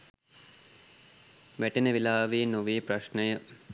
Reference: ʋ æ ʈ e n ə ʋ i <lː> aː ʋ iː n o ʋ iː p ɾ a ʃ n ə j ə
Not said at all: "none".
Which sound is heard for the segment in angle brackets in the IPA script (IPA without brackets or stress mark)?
l